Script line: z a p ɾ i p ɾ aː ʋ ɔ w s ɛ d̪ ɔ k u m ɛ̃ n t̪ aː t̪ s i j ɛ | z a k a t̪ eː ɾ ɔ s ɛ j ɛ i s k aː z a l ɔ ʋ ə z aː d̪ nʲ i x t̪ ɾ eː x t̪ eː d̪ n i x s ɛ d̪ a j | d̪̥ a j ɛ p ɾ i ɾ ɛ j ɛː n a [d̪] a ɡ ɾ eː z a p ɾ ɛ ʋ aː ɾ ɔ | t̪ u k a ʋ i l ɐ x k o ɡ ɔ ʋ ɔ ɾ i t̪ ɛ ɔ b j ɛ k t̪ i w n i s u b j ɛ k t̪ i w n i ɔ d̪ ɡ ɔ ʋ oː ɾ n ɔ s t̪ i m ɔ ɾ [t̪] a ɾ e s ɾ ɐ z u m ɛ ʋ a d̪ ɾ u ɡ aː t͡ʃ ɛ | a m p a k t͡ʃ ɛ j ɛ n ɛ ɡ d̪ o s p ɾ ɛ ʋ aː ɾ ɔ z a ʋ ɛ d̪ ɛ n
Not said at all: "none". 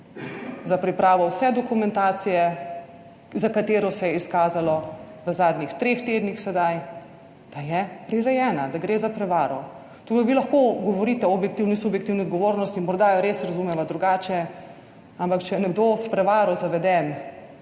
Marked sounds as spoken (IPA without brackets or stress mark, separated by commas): d̪, d̪